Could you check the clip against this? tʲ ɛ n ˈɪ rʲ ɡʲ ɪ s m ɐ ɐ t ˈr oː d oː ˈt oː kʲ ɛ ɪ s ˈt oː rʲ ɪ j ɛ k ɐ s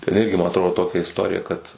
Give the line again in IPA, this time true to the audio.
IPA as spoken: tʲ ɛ n ˈɪ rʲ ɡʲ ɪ m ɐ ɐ t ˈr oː d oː ˈt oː kʲ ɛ ɪ s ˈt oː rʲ ɪ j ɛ k ɐ t

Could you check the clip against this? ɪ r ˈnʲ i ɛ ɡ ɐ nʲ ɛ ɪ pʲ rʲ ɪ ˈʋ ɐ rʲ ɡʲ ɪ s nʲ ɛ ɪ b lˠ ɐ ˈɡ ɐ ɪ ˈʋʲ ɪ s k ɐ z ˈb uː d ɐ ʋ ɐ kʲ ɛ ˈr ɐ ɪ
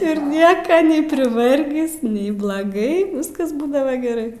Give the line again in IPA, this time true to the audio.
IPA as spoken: ɪ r ˈnʲ i ɛ k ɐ nʲ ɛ ɪ pʲ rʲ ɪ ˈʋ ɐ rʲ ɡʲ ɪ s nʲ ɛ ɪ b lˠ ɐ ˈɡ ɐ ɪ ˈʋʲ ɪ s k ɐ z ˈb uː d ɐ ʋ ɐ ɡʲ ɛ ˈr ɐ ɪ

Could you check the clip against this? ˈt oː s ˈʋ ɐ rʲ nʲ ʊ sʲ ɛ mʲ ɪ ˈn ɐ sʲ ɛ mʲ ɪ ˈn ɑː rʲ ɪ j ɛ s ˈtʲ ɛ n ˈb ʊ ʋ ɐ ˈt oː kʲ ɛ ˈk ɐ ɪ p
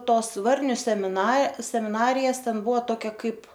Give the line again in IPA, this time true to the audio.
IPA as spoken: ˈt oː s ˈʋ ɐ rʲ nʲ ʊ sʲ ɛ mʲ ɪ ˈn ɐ sʲ ɛ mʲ ɪ ˈn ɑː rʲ ɪ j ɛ s ˈtʲ ɛ n ˈb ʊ ʋ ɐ ˈt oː kʲ ɛ ˈk ɐ ɪ p

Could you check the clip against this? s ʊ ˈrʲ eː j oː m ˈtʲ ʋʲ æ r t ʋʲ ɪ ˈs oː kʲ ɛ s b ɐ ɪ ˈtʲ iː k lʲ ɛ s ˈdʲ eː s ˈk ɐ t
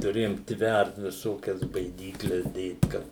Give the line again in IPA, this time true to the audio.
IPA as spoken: t ʊ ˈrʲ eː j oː m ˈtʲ ʋʲ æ r t ʋʲ ɪ ˈs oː kʲ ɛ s b ɐ ɪ ˈdʲ iː k lʲ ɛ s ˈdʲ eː t ˈk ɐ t

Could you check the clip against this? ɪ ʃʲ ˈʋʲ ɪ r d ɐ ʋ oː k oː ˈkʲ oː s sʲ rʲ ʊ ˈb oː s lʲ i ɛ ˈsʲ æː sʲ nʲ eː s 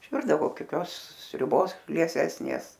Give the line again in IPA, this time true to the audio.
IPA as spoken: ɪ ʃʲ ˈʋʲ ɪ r d ɐ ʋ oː k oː ˈkʲ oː s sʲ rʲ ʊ ˈb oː s lʲ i ɛ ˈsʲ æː sʲ nʲ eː s

